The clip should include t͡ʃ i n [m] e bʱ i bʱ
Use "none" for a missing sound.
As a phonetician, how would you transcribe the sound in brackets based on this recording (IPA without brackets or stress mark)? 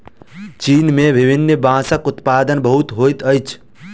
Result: m